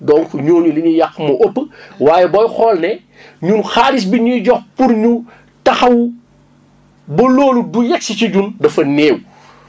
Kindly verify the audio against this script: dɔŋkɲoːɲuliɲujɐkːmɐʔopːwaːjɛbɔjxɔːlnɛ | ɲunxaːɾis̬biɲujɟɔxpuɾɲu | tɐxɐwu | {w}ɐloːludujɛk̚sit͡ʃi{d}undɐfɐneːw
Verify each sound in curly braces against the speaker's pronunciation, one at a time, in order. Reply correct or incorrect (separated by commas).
incorrect, incorrect